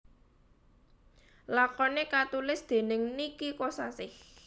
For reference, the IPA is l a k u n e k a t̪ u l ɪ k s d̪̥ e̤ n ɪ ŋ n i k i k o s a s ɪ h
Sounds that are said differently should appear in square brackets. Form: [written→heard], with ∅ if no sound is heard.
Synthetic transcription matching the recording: l a k [u→ɔ] n e k a t̪ u l ɪ [k→∅] s d̪̥ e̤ n ɪ ŋ n i k i k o s a s ɪ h